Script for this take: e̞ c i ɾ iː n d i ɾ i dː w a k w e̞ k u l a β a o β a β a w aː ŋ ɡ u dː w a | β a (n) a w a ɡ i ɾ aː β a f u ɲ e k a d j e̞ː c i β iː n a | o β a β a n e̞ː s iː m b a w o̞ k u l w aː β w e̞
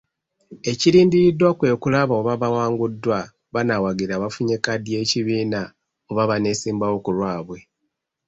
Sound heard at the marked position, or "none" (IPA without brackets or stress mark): n